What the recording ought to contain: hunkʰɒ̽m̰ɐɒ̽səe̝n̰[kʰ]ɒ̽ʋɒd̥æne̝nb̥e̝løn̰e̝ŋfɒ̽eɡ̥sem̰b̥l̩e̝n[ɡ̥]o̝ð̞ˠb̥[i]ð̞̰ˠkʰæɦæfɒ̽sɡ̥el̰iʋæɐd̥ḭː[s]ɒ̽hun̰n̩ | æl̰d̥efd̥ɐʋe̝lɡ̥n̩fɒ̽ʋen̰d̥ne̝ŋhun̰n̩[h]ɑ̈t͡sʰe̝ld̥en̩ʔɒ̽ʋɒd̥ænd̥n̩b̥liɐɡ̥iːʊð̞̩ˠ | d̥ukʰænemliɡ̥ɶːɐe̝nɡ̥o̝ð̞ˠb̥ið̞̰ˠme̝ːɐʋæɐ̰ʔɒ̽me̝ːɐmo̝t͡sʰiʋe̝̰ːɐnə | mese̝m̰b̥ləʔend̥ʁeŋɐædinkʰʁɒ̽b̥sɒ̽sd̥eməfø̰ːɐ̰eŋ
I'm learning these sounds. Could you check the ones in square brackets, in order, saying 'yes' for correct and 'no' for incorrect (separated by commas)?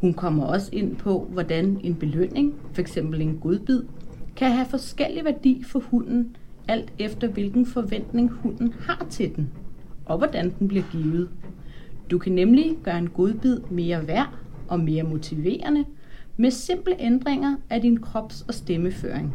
no, yes, yes, no, yes